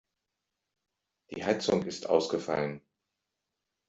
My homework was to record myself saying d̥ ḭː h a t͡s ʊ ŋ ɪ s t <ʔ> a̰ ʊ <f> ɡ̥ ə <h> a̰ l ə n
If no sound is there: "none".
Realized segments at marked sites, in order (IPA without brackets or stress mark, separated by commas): ʔ, s, f